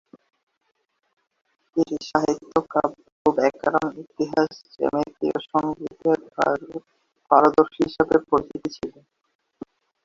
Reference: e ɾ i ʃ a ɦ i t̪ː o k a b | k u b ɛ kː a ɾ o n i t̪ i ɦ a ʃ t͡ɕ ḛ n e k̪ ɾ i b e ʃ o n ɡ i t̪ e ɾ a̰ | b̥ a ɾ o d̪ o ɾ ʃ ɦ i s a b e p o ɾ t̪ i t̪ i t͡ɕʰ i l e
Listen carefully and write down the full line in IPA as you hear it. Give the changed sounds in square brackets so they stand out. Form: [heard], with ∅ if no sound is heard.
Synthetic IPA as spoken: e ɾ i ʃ a ɦ i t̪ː o k a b | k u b ɛ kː a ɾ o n i t̪ i ɦ a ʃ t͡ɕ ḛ [m] e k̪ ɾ i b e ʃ o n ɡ i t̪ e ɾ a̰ | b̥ a ɾ o d̪ o ɾ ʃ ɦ i [ʃ] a b e p o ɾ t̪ i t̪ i t͡ɕʰ i l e